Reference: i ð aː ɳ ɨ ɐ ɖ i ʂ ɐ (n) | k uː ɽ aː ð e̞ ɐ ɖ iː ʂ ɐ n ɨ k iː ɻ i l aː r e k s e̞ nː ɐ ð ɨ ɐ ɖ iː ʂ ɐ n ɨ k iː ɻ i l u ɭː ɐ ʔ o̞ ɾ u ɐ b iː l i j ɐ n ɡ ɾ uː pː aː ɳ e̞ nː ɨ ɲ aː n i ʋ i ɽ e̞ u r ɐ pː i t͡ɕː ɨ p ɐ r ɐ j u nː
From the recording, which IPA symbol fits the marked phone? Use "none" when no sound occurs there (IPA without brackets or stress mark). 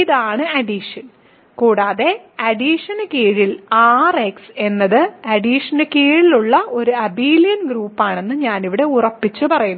n